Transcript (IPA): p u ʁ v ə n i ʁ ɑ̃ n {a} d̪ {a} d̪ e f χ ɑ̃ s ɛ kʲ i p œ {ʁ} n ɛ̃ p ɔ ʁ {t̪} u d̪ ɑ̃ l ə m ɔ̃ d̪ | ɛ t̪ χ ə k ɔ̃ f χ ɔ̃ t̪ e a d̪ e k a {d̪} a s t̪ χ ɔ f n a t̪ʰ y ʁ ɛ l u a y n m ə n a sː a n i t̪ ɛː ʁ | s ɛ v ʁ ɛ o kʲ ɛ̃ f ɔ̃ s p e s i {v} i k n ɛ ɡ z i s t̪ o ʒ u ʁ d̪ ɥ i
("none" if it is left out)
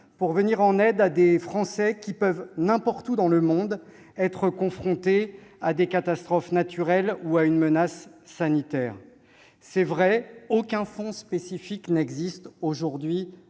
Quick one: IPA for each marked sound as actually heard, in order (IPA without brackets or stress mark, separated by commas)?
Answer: ɛ, a, v, t̪, t̪, f